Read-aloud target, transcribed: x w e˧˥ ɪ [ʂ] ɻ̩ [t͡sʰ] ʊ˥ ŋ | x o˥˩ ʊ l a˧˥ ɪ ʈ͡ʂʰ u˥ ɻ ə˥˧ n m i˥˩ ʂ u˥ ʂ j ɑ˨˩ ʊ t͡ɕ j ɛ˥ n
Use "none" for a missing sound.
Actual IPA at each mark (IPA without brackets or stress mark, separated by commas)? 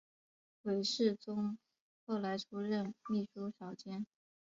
ʂ, t͡s